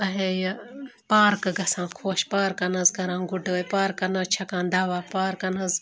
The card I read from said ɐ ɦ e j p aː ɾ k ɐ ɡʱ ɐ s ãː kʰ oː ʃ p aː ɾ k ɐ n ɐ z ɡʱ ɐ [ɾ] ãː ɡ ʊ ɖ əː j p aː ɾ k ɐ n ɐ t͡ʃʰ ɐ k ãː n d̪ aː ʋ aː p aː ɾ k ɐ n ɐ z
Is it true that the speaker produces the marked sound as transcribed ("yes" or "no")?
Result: yes